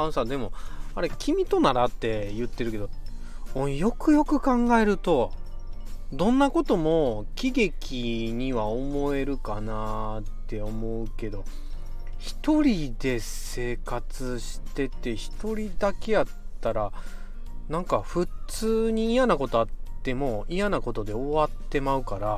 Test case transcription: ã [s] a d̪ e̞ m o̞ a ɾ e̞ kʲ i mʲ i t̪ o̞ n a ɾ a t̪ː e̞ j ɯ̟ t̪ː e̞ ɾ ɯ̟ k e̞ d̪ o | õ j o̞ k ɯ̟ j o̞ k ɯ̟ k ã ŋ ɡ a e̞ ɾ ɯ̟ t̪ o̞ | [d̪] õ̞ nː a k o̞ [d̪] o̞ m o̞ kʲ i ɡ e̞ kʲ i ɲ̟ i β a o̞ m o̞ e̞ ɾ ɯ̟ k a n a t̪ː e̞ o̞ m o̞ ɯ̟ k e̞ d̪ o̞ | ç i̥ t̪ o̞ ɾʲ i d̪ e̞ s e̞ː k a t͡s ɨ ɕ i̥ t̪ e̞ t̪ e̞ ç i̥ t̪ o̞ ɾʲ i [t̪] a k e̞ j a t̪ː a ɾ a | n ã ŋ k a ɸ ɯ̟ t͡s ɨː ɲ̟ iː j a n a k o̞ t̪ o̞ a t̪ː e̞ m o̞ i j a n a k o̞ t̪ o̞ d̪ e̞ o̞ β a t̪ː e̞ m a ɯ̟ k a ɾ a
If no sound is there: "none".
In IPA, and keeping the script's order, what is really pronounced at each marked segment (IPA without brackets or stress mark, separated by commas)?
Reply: s, d̪, t̪, d̪